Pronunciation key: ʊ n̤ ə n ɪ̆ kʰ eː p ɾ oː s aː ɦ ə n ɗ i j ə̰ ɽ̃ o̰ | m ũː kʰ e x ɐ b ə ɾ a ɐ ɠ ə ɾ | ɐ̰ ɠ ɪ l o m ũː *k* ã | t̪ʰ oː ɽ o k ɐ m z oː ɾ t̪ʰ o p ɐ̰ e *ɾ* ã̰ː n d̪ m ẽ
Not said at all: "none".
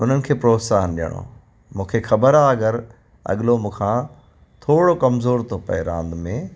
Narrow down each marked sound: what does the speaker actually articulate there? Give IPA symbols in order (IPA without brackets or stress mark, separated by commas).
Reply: kʰ, ɾ